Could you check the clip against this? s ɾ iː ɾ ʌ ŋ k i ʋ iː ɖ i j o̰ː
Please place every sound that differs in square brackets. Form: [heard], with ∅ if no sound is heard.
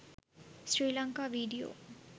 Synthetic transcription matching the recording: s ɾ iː [l] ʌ ŋ k [a] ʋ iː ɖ i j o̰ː